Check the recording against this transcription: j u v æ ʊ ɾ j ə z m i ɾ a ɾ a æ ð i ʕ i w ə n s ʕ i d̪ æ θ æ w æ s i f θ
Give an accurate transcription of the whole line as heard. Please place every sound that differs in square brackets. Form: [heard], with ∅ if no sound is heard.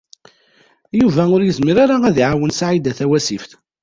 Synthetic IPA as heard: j u v æ ʊ ɾ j ə z m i ɾ a ɾ a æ ð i ʕ [a] w ə n s ʕ i d̪ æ θ æ w æ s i f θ

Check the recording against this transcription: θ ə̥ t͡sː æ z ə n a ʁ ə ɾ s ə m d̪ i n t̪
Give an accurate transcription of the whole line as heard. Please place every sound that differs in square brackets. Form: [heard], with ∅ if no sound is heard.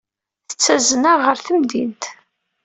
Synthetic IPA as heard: θ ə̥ t͡sː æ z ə n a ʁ ə ɾ [θ] ə m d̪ i n t̪

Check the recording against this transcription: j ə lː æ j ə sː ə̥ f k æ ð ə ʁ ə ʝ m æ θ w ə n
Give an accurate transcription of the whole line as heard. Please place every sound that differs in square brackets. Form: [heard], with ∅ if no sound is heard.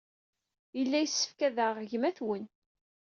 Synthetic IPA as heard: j ə lː æ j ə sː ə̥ f k æ ð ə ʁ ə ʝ m æ θ w ə n

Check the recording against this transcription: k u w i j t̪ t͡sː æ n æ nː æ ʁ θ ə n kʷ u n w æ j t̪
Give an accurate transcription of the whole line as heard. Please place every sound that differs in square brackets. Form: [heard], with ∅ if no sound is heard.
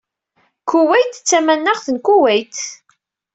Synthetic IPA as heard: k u w [æ] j t̪ t͡sː æ [m] æ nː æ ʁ θ ə n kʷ u [∅] w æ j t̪

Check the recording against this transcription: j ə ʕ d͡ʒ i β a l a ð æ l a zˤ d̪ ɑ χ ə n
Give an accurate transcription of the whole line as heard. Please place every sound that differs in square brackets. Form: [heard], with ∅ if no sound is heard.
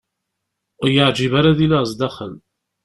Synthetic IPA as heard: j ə ʕ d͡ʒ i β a [ɾ] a ð [i] l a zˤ d̪ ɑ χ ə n

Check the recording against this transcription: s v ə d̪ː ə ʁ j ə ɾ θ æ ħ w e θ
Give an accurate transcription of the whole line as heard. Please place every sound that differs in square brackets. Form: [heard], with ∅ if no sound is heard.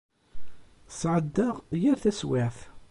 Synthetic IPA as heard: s [ʕ] ə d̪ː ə ʁ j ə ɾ θ æ [s] w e θ

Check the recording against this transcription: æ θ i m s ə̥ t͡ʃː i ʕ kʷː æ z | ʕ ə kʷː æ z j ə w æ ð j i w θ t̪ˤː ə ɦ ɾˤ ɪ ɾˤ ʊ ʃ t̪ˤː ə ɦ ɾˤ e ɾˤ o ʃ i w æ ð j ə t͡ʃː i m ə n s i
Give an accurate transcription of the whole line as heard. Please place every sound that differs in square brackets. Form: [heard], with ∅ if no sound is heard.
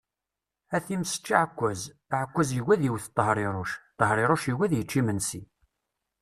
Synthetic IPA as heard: æ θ i m s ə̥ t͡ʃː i ʕ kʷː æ z | ʕ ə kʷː æ z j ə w æ ð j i w θ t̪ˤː ə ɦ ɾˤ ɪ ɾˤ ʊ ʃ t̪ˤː ə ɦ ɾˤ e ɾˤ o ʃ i w æ ð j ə t͡ʃː i m ə n s i

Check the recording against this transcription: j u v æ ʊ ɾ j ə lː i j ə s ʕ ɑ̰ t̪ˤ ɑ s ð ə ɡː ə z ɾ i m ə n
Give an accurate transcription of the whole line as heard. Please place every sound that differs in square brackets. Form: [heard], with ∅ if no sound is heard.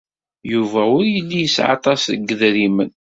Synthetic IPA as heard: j u v æ ʊ ɾ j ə lː i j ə s ʕ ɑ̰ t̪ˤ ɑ s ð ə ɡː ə [ð] ɾ i m ə n

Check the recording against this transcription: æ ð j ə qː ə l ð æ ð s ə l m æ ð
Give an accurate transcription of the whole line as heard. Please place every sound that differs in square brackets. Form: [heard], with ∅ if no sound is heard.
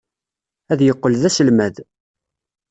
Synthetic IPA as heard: æ ð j ə qː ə l ð æ [∅] s ə l m æ ð

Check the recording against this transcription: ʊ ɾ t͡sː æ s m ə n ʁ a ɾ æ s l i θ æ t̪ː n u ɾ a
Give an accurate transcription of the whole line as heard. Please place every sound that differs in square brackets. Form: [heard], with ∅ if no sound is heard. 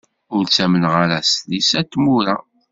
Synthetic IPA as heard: ʊ ɾ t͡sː æ [∅] m ə n ʁ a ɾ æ s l i [s] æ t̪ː [m] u ɾ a

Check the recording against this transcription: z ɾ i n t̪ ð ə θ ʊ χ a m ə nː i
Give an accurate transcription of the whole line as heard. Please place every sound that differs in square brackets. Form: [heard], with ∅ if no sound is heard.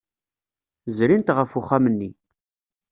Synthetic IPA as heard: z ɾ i n t̪ [ʁ] ə [f] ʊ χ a m ə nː i

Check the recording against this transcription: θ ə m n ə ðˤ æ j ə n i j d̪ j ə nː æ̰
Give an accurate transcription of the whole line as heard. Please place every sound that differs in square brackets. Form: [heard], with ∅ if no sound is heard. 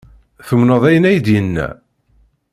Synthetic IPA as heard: θ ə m n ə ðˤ æ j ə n [æ] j d̪ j ə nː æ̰

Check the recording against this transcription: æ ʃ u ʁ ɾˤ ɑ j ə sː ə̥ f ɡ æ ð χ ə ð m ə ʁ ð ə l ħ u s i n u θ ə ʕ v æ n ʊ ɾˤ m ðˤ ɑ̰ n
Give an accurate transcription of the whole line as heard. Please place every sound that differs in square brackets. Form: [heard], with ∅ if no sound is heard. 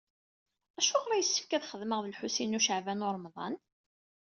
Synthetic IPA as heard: æ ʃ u ʁ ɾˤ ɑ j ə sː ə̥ f [k] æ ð χ ə ð m ə ʁ ð ə l ħ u s i n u [ʃ] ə ʕ v æ n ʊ ɾˤ m ðˤ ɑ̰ n

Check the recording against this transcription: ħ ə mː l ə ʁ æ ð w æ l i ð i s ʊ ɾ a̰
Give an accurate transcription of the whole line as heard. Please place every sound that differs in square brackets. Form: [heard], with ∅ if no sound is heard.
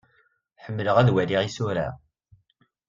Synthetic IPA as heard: ħ ə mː l ə ʁ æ ð w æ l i [ʁ] i s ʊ ɾ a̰

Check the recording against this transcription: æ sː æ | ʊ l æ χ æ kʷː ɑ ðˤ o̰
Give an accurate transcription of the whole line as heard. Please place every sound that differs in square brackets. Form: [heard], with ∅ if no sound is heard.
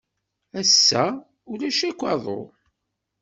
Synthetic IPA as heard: æ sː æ | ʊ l æ [ʃ] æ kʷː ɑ ðˤ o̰

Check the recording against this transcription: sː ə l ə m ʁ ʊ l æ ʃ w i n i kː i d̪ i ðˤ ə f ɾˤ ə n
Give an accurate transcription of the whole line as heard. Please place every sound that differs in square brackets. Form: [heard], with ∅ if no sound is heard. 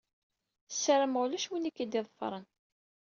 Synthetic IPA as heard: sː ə [ɾ] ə m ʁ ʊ l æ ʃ w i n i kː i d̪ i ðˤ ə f ɾˤ ə n

